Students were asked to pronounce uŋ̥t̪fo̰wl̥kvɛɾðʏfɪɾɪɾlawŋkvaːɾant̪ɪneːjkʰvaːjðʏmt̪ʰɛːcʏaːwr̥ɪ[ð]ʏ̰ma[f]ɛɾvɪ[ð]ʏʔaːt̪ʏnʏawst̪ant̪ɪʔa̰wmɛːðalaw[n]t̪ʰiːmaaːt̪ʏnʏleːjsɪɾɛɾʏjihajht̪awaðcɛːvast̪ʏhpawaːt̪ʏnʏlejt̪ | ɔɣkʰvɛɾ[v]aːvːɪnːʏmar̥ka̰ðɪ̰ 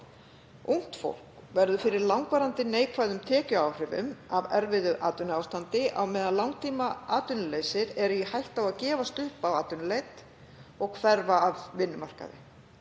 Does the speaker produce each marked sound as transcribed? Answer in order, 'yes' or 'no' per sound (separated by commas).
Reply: no, no, yes, no, yes